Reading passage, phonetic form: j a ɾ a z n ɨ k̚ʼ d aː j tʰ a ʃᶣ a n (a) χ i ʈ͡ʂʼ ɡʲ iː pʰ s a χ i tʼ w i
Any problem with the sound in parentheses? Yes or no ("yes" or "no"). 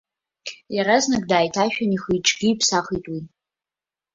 yes